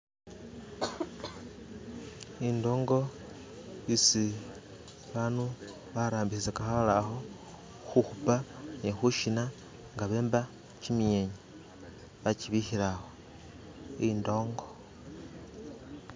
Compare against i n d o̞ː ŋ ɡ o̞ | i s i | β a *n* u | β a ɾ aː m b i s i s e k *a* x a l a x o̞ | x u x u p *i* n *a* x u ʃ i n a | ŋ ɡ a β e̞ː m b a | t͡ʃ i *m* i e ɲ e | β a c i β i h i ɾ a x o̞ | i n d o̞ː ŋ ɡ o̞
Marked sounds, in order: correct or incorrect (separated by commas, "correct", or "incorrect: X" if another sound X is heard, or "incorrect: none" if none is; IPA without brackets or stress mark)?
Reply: correct, correct, incorrect: a, incorrect: e, correct